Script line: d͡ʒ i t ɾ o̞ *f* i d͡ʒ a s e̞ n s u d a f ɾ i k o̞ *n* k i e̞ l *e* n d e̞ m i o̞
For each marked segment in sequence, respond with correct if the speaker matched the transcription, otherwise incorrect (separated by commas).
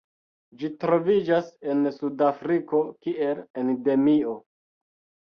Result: incorrect, incorrect, correct